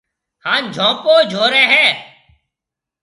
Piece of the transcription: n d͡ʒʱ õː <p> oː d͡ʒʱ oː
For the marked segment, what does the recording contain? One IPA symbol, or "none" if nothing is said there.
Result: p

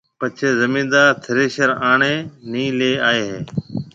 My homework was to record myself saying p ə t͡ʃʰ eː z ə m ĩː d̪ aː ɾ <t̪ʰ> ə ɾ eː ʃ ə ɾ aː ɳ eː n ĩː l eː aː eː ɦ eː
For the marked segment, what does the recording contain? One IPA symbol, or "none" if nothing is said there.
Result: t̪ʰ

